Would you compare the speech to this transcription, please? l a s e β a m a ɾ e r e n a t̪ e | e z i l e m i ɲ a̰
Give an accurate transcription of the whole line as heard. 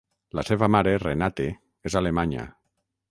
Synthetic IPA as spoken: l a s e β a m a ɾ e r e n a t̪ e | e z a l e m a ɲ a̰